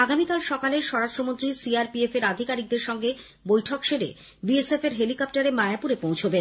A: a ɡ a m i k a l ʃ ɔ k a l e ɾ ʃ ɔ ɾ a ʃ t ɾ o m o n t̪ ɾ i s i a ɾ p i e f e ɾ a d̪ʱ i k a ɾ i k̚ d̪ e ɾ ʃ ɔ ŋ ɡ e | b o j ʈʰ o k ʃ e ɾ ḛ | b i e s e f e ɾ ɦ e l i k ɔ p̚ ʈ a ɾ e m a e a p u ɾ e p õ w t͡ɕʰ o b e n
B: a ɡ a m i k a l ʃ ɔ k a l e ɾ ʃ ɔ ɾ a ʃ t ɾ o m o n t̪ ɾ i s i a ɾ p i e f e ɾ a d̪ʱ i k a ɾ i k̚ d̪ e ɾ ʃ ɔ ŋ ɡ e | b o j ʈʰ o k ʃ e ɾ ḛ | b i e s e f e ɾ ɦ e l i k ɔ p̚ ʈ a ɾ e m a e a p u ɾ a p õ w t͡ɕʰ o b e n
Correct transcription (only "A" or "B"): A